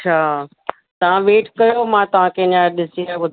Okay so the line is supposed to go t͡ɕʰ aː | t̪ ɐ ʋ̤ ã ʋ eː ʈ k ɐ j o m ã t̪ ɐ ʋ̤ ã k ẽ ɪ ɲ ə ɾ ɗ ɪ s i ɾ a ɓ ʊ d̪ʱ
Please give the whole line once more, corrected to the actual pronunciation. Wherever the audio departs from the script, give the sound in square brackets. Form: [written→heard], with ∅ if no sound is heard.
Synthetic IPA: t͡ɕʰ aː | t̪ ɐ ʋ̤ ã ʋ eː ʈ k ɐ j o m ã t̪ ɐ ʋ̤ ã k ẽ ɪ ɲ [ə→a] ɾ ɗ ɪ s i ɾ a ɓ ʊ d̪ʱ

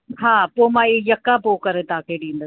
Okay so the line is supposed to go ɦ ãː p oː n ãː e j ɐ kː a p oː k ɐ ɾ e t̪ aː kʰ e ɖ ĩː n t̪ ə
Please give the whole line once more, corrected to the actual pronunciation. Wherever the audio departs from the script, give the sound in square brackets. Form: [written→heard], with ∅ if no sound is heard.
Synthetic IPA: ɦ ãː p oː [n→m] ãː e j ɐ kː a p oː k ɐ ɾ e t̪ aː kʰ e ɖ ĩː n [t̪→d̪] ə

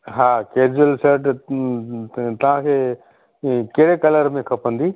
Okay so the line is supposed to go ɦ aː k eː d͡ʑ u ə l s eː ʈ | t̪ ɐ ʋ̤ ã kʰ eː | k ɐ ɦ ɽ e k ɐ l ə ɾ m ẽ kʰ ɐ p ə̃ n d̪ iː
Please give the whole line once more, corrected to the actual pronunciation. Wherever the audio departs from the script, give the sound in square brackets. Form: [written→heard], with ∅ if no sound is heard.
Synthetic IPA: ɦ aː k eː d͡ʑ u ə l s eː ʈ | t̪ ɐ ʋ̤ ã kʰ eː | k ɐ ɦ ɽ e k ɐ l ə ɾ m ẽ kʰ ɐ p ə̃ n d̪ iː

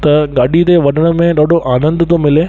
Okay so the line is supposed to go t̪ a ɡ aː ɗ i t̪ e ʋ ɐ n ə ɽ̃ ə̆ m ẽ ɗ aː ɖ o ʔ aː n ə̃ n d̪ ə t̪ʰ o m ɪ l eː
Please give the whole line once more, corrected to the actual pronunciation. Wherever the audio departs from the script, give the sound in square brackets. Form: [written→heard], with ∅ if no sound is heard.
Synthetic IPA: t̪ [a→ɐ] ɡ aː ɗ i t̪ e ʋ ɐ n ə ɽ̃ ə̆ m ẽ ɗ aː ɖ o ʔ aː n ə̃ n d̪ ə [t̪ʰ→t̪] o m ɪ l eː

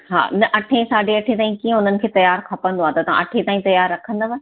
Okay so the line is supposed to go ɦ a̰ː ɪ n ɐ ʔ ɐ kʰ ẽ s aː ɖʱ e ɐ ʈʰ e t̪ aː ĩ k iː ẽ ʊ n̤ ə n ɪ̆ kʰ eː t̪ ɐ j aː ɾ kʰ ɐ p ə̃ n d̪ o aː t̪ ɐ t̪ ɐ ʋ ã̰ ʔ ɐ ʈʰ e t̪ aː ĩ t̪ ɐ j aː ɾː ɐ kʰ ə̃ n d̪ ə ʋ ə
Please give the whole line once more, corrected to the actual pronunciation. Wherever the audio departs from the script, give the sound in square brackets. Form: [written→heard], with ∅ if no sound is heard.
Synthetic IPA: ɦ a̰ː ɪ n ɐ ʔ ɐ [kʰ→ʈʰ] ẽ s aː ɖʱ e ɐ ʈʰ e t̪ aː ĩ k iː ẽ ʊ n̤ ə n ɪ̆ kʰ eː t̪ ɐ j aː ɾ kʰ ɐ p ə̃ n d̪ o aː t̪ ɐ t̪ ɐ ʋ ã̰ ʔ ɐ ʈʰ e t̪ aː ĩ t̪ ɐ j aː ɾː ɐ kʰ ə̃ n d̪ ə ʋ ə

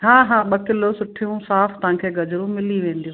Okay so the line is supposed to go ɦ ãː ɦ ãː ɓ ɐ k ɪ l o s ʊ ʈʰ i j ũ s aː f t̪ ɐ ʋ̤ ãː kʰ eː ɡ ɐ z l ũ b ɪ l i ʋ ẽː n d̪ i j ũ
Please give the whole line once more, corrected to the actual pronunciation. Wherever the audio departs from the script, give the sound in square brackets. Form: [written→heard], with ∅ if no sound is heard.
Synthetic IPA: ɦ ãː ɦ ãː ɓ ɐ k ɪ l o s ʊ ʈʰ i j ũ s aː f t̪ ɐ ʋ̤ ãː kʰ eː ɡ ɐ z [l→ɾ] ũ [b→m] ɪ l i ʋ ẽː n d̪ i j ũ

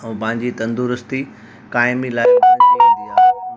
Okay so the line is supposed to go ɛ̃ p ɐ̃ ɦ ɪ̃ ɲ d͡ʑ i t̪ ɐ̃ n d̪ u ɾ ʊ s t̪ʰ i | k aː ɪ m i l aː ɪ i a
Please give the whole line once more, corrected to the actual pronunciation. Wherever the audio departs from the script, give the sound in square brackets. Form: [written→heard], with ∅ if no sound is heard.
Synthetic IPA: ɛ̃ p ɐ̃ ɦ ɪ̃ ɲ d͡ʑ i t̪ ɐ̃ n d̪ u ɾ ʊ s [t̪ʰ→t̪] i | k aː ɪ m i l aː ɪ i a

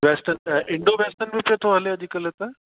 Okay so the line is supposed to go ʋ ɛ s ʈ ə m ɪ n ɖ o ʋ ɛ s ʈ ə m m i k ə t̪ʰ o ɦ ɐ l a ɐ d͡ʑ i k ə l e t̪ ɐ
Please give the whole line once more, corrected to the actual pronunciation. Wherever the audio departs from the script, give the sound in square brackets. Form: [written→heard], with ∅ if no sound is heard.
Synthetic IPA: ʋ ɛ s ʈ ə [m→n] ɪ [n→ɳ] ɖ o ʋ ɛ s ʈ ə [m→n] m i [k→p] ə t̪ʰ o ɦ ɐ l [a→e] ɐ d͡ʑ i k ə l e t̪ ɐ

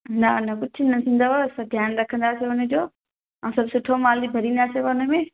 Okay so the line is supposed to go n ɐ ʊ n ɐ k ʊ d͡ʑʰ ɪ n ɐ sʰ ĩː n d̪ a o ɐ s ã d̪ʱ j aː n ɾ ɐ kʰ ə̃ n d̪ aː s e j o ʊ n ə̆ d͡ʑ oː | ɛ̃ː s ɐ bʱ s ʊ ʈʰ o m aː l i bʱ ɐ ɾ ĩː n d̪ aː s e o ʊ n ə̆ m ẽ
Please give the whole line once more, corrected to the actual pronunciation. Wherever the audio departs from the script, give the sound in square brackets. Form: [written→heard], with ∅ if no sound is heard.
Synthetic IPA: n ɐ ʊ n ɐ k ʊ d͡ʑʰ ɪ n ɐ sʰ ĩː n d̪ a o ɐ s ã d̪ʱ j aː n ɾ ɐ kʰ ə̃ n d̪ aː s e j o ʊ n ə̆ d͡ʑ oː | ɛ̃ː s ɐ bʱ s ʊ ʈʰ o m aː l i bʱ ɐ ɾ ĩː n d̪ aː s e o ʊ n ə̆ m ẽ

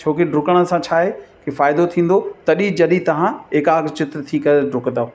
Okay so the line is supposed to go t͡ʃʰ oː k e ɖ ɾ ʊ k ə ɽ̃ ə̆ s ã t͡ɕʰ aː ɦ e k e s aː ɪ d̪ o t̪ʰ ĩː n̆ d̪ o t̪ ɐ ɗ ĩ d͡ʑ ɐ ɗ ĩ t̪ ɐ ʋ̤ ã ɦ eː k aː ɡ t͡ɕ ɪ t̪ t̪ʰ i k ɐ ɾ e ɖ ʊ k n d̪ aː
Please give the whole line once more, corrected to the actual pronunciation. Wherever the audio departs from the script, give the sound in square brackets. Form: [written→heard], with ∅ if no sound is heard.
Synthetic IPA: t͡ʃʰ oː k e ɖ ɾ ʊ k ə ɽ̃ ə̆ s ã t͡ɕʰ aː ɦ e k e [s→f] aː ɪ d̪ o t̪ʰ ĩː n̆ d̪ o t̪ ɐ ɗ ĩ d͡ʑ ɐ ɗ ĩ t̪ ɐ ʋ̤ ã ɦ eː k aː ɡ t͡ɕ ɪ t̪ t̪ʰ i k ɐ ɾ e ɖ ʊ k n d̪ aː

